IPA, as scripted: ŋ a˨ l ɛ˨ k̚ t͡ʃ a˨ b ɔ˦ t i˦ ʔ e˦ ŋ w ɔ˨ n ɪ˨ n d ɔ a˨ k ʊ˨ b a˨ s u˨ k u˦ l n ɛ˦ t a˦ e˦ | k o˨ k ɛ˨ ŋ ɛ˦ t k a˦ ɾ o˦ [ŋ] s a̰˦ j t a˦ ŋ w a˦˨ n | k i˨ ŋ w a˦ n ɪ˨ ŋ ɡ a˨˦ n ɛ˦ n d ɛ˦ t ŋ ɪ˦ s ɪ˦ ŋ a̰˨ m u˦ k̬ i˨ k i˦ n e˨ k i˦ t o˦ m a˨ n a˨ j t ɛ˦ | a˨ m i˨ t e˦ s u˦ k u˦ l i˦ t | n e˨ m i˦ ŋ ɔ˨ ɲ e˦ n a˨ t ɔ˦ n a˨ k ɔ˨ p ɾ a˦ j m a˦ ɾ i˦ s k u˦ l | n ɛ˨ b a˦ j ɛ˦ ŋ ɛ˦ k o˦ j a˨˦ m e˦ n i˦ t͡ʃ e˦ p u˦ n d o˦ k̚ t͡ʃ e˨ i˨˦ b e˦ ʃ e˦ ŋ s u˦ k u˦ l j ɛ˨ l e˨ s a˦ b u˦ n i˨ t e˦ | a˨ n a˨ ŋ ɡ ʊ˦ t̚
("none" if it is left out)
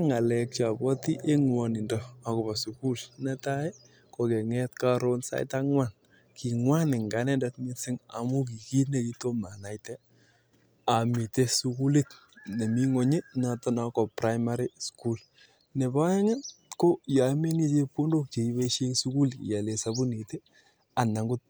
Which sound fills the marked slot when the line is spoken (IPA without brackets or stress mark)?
n